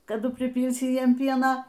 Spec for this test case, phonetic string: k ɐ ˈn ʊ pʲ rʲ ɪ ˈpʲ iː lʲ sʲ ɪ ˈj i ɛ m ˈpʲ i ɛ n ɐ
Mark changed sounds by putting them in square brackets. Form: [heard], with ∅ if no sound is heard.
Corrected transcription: k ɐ [ˈd] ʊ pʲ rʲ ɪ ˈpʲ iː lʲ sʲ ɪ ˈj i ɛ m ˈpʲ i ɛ n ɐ